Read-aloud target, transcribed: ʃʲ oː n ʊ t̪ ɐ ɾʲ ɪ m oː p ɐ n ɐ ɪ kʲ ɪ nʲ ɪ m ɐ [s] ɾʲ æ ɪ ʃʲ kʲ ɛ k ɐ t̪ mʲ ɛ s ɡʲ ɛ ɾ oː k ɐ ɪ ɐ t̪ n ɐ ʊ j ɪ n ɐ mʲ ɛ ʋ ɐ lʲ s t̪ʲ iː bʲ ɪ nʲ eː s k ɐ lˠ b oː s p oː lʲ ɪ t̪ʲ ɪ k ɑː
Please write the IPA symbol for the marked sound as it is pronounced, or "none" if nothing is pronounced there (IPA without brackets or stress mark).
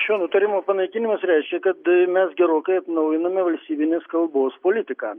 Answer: s